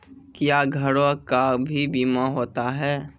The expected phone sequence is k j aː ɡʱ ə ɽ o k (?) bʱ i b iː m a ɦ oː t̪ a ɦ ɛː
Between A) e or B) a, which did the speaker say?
B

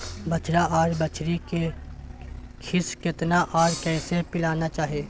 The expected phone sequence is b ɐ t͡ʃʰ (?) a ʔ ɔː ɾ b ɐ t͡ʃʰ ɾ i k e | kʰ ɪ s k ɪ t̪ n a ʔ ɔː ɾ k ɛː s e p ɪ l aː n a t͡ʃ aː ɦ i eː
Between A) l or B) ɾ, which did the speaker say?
B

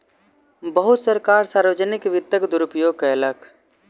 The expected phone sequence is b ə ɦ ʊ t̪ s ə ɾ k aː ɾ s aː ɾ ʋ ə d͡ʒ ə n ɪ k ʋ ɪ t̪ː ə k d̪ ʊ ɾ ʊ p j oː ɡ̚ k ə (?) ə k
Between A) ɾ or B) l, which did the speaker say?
B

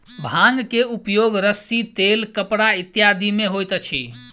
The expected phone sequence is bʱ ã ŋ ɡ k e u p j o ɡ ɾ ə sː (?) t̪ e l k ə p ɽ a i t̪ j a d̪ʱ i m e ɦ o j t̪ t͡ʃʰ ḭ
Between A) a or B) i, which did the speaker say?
B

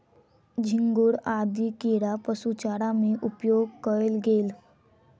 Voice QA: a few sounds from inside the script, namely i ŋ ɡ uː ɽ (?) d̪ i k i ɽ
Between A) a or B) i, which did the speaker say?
A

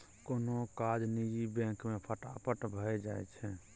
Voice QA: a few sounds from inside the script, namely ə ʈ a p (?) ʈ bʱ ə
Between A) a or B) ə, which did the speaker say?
B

